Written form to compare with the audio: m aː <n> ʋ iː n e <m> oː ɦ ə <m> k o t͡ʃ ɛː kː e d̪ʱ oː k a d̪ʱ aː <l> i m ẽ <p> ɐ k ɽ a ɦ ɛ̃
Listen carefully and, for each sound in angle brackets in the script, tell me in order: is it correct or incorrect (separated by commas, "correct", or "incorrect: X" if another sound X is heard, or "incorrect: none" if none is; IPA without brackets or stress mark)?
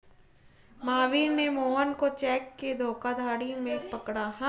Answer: incorrect: none, correct, incorrect: n, incorrect: ɽ, correct